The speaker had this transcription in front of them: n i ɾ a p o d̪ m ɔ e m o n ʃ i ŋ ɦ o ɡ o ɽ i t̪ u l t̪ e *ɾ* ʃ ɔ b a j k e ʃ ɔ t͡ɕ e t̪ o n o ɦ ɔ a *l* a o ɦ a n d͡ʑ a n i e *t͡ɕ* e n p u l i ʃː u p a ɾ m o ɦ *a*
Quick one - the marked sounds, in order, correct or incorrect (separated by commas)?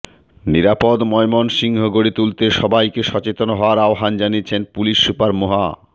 incorrect, incorrect, incorrect, correct